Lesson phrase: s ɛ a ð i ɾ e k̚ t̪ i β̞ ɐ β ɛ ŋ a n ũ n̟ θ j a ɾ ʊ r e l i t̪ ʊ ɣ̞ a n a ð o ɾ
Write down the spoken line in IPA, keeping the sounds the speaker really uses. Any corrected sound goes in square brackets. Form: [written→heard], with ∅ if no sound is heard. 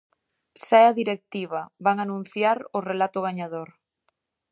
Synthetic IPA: s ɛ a ð i ɾ e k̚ t̪ i β̞ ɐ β [ɛ→a] ŋ a n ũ n̟ θ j a ɾ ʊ r e l [i→a] t̪ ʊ ɣ̞ a [n→ɲ] a ð o ɾ